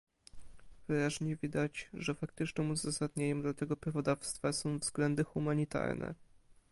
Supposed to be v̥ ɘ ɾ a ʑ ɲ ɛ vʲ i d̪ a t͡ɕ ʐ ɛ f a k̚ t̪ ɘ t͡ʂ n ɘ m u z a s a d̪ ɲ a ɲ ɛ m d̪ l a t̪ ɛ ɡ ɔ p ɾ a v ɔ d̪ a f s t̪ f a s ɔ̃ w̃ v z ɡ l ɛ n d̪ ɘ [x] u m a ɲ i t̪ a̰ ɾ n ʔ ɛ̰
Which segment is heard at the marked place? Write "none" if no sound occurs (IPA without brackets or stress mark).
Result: x